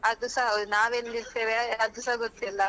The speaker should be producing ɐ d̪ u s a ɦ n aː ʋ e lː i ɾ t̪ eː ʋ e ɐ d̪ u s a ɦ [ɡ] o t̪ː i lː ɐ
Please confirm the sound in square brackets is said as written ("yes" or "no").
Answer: yes